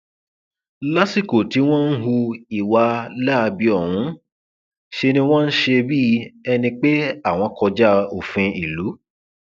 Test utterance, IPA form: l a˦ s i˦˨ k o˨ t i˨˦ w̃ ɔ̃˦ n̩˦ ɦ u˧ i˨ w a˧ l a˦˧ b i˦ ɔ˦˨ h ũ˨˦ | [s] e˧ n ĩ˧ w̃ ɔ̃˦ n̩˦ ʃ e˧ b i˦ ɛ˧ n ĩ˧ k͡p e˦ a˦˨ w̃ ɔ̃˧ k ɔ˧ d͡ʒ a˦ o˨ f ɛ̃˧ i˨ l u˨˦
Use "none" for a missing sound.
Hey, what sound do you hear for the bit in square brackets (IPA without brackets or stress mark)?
ʃ